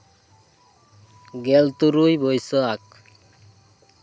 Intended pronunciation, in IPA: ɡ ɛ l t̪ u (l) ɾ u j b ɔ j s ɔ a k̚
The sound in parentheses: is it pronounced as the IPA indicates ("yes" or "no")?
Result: no